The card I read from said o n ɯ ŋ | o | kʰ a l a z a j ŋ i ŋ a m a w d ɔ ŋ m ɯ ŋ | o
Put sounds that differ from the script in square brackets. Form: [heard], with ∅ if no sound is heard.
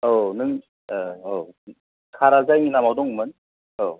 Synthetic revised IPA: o n ɯ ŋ | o | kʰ a [ɾ] a z a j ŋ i [n] a m a w d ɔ ŋ m ɯ [n] | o